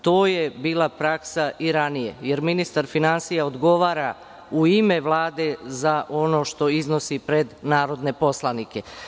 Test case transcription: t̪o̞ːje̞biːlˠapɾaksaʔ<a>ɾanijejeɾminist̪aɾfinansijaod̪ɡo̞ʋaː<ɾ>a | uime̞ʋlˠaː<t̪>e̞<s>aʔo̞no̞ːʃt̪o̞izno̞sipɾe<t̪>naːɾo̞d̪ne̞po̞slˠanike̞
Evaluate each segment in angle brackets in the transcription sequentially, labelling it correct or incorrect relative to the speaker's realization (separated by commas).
incorrect, correct, incorrect, incorrect, incorrect